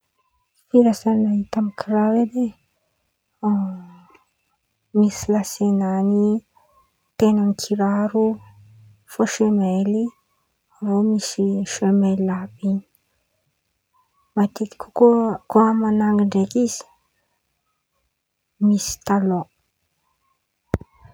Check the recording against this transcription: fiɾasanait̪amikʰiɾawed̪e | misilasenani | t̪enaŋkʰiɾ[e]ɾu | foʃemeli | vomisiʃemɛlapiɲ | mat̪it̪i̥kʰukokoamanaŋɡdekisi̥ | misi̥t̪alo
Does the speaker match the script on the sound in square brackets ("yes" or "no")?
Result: no